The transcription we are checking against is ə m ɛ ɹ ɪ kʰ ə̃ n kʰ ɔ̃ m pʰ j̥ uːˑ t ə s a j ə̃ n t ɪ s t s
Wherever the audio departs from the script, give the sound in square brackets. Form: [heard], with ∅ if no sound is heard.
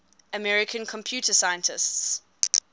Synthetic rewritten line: ə m ɛ ɹ ɪ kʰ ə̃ n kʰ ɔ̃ m pʰ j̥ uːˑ t ə s a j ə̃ n t ɪ s t s